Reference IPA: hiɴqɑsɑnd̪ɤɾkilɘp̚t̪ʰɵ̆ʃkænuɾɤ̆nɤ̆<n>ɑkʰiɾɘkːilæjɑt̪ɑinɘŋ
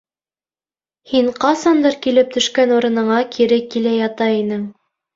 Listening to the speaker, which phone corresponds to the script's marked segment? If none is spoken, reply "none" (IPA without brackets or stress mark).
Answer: ɴ